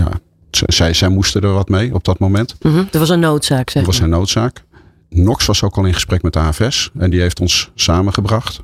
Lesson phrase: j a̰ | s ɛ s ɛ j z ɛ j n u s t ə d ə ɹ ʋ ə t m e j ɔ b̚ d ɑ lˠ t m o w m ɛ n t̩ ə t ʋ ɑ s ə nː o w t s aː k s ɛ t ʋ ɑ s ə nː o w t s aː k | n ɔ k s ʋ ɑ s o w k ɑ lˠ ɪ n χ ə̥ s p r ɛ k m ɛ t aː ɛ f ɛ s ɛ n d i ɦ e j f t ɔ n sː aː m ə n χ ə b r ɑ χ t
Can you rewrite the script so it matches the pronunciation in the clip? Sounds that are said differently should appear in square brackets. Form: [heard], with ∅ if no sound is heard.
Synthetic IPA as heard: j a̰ | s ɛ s ɛ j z ɛ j [m] u s t ə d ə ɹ ʋ [ɑ] t m e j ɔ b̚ d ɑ [∅] t m o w m ɛ n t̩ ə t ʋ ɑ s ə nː o w t s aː k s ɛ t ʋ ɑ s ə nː o w t s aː k | n ɔ k s ʋ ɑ s o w k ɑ lˠ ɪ n χ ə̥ s p r ɛ k m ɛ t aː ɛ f ɛ s ɛ n d i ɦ e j f t ɔ n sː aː m ə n χ ə b r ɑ χ t